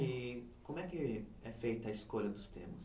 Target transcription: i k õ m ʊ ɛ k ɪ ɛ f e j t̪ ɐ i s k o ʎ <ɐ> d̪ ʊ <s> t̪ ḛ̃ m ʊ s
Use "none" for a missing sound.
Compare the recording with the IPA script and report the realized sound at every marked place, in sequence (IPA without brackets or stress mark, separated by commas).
ɐ, s